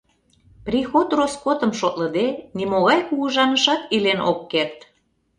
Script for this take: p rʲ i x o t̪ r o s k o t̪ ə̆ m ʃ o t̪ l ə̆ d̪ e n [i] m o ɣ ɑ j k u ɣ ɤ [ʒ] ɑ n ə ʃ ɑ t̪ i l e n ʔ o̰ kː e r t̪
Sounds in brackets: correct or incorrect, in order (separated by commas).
correct, correct